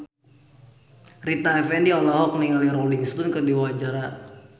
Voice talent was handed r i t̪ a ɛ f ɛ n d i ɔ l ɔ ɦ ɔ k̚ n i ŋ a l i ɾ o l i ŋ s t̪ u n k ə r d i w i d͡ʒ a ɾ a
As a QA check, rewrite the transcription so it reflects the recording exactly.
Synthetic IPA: r i t̪ a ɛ f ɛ n d i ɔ l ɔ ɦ ɔ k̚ n i ŋ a l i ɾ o l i ŋ s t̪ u n k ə r d i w a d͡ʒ a ɾ a